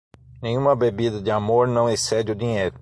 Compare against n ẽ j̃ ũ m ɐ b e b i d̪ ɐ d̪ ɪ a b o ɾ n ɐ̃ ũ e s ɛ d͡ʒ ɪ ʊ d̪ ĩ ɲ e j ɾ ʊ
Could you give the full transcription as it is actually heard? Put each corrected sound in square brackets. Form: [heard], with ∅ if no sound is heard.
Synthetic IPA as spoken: n ẽ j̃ ũ m ɐ b e b i d̪ ɐ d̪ ɪ a [m] o ɾ n ɐ̃ [w̃] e s ɛ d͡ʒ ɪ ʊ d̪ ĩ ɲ e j ɾ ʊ